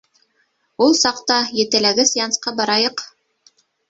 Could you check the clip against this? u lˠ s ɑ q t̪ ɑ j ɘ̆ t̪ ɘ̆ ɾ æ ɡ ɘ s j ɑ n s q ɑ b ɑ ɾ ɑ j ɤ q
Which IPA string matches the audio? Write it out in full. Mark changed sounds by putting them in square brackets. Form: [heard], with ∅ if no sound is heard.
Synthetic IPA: u lˠ s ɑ q t̪ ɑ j ɘ̆ t̪ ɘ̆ [l] æ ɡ ɘ s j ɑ n s q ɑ b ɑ ɾ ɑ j ɤ q